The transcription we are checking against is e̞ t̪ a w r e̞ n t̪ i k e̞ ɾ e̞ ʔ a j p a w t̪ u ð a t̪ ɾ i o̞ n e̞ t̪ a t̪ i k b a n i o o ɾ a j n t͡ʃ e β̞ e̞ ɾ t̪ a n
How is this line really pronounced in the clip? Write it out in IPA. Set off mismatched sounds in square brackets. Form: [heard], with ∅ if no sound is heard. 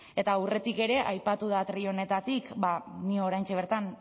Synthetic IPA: e̞ t̪ a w r e̞ [∅] t̪ i k e̞ ɾ e̞ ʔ a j p a [∅] t̪ u ð a t̪ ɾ i o̞ n e̞ t̪ a t̪ i k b a n i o o ɾ a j n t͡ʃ e β̞ e̞ ɾ t̪ a n